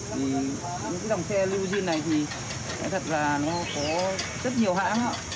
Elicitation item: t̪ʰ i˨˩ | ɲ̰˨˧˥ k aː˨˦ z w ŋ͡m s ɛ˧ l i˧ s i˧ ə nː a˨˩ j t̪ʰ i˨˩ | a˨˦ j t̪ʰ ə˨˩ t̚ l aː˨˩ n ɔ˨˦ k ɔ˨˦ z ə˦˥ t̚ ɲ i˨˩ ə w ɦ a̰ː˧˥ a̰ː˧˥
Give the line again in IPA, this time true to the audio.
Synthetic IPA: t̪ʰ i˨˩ | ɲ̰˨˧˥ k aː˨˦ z w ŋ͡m s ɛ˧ l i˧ z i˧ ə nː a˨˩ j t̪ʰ i˨˩ | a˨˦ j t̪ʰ ə˨˩ t̚ l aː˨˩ n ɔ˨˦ k ɔ˨˦ z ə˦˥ t̚ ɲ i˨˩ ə w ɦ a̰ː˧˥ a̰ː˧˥